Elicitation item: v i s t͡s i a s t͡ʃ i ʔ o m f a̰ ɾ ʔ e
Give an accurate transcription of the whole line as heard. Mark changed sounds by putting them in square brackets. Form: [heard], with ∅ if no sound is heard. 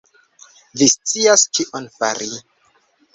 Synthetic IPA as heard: v i s t͡s i a s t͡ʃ i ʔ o [n] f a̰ ɾ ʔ [i]